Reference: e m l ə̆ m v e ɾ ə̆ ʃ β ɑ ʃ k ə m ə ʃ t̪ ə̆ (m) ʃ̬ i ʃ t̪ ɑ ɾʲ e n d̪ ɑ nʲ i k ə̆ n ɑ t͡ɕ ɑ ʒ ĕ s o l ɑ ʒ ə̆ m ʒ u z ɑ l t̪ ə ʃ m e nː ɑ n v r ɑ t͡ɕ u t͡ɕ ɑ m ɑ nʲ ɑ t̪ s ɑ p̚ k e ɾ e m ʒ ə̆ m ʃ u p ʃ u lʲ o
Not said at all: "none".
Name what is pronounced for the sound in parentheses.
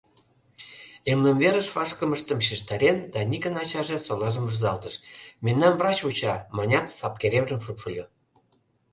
m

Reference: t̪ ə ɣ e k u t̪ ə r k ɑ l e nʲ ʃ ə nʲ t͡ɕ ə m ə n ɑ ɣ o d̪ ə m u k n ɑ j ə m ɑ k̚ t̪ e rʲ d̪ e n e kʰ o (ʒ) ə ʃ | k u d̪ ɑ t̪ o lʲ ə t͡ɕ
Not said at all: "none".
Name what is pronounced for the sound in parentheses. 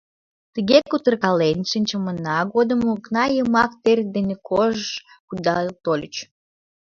ʒ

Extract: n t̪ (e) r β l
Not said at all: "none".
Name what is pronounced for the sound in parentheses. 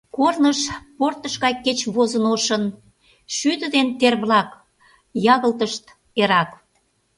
e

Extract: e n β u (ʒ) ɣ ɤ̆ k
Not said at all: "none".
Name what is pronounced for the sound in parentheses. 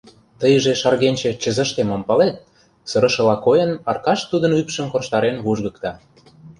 ʒ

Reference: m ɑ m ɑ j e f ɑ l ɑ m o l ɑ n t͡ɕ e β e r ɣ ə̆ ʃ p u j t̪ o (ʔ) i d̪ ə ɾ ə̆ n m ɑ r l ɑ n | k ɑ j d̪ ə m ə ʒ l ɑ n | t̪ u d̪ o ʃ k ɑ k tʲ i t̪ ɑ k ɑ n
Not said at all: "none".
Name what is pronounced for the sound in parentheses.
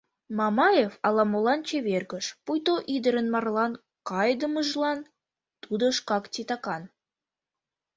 ʔ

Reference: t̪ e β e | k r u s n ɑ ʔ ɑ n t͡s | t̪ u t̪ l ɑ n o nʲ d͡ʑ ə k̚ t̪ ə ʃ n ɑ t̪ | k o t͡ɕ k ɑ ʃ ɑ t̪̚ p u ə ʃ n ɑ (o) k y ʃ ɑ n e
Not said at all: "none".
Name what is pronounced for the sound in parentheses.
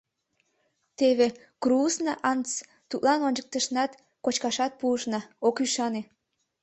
o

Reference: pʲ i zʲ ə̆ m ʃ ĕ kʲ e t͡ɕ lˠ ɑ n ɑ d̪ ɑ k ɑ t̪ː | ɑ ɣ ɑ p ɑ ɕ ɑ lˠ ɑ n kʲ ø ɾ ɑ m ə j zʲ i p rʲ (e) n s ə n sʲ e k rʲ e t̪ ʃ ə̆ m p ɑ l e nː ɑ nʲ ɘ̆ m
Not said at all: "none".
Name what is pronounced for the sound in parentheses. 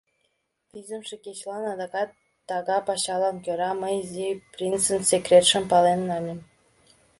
i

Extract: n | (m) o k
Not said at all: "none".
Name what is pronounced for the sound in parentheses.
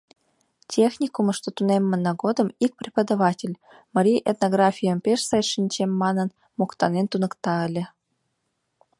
m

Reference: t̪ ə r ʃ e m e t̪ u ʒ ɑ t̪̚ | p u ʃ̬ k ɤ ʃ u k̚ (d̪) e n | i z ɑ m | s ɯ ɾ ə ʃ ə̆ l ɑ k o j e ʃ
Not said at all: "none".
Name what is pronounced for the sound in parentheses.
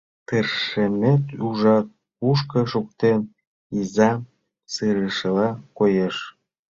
t̪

